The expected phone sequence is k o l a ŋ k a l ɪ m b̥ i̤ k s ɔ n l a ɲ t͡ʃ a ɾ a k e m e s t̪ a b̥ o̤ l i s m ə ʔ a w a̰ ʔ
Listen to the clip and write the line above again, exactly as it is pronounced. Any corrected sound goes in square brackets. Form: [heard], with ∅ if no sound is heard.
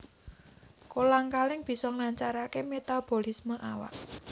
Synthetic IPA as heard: k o l a ŋ k a l ɪ [ŋ] b̥ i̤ [∅] s ɔ [ŋ] l a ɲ t͡ʃ a ɾ a k e m e [∅] t̪ a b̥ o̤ l i s m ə ʔ a w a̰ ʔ

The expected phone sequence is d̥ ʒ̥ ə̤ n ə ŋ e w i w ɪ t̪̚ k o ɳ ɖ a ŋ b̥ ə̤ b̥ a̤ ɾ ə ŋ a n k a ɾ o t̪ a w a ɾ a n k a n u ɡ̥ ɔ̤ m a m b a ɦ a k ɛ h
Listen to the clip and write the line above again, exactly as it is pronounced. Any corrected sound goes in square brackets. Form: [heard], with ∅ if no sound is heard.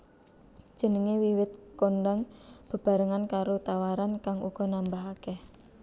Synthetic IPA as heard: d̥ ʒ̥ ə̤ n ə ŋ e w i w ɪ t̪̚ k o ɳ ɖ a ŋ b̥ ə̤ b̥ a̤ ɾ ə ŋ a n k a ɾ o t̪ a w a ɾ a n k a [ŋ] u ɡ̥ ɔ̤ [n] a m b a ɦ a k ɛ h

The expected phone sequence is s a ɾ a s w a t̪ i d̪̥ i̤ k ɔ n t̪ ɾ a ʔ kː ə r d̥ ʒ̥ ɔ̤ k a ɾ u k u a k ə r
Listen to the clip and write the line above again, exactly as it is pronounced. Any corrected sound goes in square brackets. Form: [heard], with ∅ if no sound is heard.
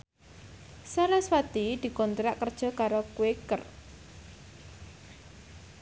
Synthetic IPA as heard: s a ɾ a s w a t̪ i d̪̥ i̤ k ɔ n t̪ ɾ a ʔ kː ə r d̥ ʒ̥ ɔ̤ k a ɾ [o] k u [e] k ə r

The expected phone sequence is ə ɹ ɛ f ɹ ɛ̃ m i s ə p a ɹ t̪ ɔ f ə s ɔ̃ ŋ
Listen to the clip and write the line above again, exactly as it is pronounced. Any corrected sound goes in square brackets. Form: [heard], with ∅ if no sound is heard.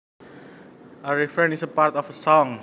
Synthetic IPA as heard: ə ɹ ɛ f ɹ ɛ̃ [n] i s ə p a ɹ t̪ ɔ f ə s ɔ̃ ŋ

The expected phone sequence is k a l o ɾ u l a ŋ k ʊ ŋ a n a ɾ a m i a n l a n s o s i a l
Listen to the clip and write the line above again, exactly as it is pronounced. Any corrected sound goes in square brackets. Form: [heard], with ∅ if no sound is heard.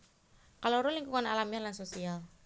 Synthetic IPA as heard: k a l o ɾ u l [i] ŋ k [u] ŋ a n a [l] a m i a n l a n s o s i a l

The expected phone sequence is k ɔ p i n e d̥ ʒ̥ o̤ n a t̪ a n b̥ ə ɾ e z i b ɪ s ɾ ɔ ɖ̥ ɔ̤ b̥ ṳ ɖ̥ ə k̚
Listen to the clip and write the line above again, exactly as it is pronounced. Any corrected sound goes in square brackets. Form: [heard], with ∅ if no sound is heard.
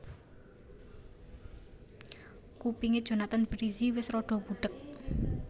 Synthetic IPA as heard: k [u] p i [ŋ] e d̥ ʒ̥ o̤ n a t̪ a n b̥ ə ɾ [i] z i [w] ɪ s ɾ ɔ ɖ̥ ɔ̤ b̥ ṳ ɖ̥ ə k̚

